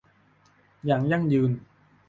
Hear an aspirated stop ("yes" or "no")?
no